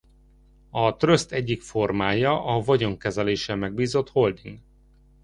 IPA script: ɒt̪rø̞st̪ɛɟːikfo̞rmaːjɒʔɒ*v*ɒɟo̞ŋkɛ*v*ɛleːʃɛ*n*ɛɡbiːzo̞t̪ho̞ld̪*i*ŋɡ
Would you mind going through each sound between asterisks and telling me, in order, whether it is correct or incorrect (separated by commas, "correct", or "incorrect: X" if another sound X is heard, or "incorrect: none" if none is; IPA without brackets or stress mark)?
correct, incorrect: z, incorrect: m, correct